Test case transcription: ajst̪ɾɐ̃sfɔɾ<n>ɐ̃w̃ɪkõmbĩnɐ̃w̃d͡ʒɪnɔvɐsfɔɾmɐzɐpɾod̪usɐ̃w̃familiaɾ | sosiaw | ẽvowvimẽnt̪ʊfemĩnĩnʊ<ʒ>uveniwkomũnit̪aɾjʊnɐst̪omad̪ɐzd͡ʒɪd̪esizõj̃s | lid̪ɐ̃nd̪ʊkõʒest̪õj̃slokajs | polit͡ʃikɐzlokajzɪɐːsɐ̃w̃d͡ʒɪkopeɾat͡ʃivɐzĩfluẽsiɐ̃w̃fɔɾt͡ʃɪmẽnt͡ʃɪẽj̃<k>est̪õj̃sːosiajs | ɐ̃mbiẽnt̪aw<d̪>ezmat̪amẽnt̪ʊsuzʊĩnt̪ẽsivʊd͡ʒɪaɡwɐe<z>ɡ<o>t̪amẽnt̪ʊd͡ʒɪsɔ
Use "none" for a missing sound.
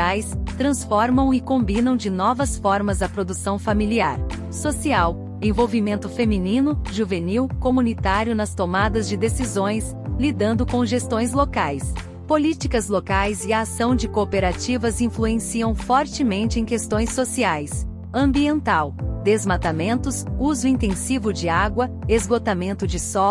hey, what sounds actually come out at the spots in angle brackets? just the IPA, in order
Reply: m, ʒ, k, d̪, z, o

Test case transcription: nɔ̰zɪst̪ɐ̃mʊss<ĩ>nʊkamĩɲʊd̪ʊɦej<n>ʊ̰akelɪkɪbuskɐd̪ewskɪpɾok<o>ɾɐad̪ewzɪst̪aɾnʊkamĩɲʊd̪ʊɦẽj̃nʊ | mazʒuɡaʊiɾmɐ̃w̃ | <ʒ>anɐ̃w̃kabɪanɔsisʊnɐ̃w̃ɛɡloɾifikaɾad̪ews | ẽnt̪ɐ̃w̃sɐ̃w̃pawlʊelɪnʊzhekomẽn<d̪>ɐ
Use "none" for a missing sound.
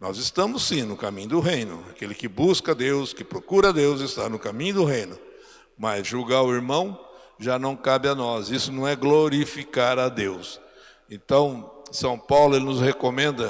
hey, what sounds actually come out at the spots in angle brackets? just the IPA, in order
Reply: ĩ, n, u, ʒ, d̪

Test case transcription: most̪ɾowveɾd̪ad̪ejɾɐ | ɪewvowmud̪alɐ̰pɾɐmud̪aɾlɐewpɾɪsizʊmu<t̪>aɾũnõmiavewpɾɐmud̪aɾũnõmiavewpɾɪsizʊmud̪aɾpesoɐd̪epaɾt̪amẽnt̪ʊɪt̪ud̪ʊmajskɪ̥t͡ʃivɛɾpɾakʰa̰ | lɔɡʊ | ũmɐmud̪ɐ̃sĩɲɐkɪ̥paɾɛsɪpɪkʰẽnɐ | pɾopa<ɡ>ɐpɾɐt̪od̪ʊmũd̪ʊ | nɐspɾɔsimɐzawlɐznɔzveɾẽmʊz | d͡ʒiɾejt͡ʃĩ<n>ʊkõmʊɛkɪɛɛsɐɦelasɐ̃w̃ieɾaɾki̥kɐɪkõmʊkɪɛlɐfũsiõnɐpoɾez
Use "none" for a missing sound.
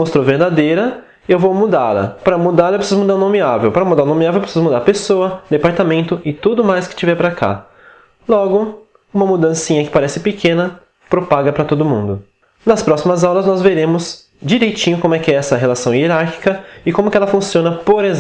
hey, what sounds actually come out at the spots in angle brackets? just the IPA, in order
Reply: d̪, ɡ, ɲ

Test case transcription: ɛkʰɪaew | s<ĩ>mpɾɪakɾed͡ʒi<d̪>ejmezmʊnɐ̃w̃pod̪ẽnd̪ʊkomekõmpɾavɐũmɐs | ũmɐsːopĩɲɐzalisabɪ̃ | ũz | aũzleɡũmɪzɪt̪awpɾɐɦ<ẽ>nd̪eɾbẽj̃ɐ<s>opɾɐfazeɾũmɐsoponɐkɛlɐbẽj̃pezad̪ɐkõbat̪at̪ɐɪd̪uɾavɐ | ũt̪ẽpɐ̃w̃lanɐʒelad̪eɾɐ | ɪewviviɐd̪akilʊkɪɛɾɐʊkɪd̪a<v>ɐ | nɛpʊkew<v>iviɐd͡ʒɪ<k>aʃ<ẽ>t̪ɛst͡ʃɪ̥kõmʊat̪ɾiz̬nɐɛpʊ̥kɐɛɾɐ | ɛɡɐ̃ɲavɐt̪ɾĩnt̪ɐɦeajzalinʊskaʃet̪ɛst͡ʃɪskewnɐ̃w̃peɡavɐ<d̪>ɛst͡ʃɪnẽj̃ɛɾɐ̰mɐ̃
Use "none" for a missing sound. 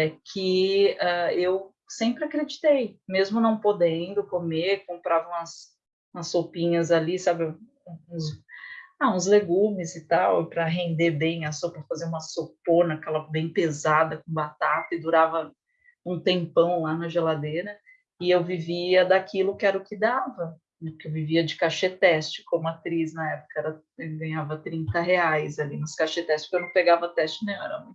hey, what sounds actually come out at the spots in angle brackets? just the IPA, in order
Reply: ẽ, t̪, ẽ, s, v, v, k, e, t̪

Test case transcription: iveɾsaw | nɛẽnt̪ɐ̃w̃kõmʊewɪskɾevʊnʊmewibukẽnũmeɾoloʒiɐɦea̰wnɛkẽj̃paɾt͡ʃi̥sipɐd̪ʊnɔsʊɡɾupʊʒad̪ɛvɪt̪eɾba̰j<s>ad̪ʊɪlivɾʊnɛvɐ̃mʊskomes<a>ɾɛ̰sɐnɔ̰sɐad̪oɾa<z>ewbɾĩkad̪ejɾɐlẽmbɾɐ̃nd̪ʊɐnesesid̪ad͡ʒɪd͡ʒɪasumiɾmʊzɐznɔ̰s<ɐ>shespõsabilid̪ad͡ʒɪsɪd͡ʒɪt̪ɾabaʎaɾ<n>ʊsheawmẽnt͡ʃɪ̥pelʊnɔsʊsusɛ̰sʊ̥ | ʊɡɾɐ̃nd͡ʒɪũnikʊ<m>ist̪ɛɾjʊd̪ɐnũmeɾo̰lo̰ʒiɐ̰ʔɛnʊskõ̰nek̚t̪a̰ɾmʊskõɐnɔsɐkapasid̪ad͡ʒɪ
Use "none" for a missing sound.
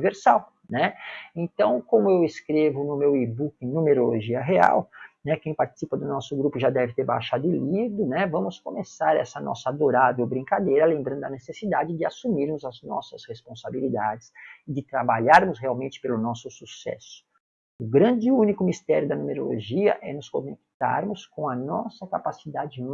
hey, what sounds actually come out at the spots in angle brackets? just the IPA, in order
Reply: ʃ, a, v, ɐ, m, m

